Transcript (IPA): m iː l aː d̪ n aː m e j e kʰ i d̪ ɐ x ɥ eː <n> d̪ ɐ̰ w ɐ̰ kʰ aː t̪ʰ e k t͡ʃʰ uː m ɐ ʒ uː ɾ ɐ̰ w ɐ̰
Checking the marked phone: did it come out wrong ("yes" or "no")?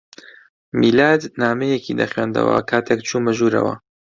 no